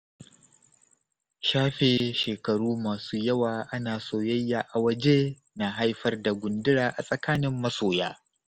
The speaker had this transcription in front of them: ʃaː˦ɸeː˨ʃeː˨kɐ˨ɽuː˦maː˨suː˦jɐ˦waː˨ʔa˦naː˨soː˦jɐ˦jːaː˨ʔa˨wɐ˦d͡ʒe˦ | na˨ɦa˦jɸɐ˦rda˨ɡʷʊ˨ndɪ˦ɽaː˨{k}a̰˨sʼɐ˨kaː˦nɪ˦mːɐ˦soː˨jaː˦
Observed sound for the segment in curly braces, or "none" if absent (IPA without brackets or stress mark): ʔ